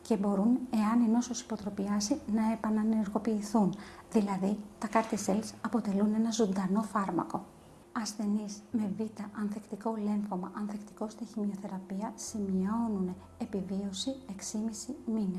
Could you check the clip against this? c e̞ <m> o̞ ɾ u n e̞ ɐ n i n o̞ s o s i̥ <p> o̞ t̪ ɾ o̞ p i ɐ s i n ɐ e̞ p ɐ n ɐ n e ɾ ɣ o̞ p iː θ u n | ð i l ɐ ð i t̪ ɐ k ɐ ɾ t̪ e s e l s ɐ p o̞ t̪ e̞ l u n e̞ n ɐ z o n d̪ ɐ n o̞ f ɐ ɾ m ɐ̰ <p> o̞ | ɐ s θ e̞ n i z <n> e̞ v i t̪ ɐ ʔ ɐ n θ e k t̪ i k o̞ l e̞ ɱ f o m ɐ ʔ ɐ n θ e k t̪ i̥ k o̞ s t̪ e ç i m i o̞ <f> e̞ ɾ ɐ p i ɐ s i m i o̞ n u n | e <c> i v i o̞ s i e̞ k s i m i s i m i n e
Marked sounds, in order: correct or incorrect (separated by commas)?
incorrect, correct, incorrect, incorrect, incorrect, incorrect